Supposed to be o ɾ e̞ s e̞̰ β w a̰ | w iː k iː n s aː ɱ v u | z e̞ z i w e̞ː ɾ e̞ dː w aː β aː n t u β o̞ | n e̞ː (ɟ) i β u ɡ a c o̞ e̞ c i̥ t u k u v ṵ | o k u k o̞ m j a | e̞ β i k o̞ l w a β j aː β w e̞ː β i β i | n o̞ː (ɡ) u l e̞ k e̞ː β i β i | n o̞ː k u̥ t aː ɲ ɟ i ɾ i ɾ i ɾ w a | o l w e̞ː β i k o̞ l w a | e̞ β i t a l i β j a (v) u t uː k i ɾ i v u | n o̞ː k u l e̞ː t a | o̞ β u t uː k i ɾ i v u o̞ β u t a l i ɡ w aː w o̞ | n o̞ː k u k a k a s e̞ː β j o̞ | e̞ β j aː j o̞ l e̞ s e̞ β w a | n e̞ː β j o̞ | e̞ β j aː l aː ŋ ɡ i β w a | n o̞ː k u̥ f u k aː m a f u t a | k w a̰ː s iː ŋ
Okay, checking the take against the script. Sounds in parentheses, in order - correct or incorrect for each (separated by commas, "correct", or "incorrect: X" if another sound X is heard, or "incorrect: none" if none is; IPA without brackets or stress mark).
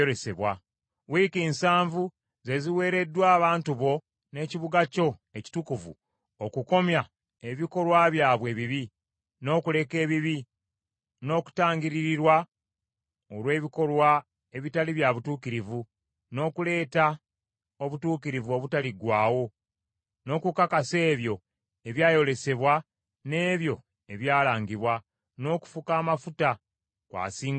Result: incorrect: c, incorrect: k, incorrect: β